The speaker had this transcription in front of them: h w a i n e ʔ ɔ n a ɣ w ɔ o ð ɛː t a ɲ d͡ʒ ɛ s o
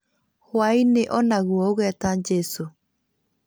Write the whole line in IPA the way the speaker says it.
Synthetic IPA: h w a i n e ʔ ɔ n a ɣ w ɔ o ɣ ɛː t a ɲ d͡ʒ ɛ s o